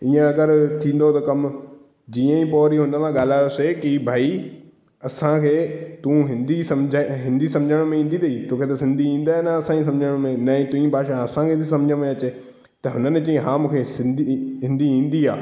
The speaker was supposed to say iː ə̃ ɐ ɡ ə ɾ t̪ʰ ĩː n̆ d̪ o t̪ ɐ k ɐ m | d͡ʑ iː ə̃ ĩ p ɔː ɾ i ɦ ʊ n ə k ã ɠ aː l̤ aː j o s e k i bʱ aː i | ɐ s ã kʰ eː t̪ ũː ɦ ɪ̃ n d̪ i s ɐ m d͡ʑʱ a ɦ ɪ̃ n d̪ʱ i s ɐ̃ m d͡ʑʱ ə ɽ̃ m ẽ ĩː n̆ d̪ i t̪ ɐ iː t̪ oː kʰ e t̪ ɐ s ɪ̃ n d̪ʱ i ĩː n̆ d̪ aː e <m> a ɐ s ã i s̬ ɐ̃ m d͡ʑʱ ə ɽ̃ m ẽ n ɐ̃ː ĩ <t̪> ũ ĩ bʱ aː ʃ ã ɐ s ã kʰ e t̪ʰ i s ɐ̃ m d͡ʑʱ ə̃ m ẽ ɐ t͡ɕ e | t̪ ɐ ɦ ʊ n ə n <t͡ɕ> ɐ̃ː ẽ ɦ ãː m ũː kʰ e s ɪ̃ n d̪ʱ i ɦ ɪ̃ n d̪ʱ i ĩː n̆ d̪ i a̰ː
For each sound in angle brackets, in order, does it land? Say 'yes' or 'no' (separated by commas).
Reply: no, yes, yes